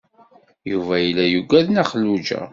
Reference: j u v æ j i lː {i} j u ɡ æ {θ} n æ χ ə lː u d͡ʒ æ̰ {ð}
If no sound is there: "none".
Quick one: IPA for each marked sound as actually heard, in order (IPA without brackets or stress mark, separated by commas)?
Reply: æ, ð, none